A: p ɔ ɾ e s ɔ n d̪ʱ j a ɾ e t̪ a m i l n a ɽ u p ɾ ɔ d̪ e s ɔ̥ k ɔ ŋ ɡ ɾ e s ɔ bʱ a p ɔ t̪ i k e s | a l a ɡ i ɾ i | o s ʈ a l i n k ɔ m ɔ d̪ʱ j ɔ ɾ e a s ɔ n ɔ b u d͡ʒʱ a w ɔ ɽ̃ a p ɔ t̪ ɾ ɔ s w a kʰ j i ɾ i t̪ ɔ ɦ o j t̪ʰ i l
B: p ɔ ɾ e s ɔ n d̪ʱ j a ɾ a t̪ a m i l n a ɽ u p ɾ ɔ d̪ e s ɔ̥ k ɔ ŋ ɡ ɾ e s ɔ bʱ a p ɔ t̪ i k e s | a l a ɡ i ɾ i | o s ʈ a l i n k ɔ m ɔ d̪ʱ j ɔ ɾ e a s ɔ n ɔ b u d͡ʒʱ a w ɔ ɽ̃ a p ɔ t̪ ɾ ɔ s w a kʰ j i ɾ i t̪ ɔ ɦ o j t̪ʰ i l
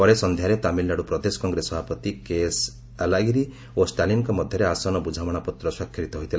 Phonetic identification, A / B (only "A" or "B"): A